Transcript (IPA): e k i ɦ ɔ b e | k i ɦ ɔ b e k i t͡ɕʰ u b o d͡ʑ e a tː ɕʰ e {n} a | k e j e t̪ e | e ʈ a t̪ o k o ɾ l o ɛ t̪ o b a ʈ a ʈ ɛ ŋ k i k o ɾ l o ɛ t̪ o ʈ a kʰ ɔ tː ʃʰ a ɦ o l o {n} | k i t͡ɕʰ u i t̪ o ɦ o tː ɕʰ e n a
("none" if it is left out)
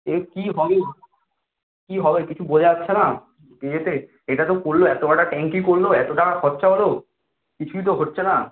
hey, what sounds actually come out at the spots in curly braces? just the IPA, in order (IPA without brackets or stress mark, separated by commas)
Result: n, none